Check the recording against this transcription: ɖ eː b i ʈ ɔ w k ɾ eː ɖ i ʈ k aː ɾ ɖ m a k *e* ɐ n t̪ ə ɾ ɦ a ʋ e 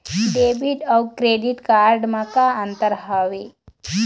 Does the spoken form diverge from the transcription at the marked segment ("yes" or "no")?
yes